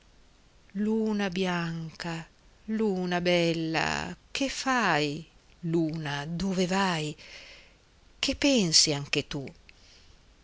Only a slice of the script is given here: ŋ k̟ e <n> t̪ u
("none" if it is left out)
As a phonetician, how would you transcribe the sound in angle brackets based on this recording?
none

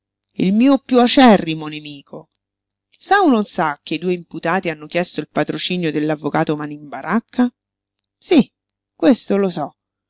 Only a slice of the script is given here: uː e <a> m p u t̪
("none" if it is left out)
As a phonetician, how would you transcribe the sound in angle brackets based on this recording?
i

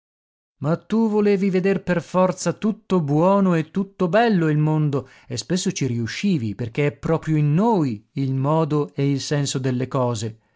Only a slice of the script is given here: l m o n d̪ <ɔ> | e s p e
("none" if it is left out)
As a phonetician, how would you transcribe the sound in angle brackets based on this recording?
o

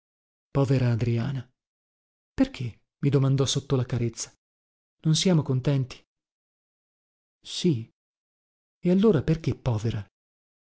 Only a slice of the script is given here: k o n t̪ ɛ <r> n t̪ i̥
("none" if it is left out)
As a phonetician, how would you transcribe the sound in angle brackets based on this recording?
none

